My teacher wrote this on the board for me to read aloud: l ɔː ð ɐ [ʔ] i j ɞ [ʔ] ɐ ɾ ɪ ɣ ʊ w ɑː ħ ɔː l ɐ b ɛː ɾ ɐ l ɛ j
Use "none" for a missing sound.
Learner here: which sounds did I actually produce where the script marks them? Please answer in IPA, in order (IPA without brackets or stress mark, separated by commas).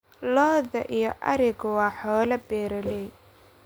ʔ, ʔ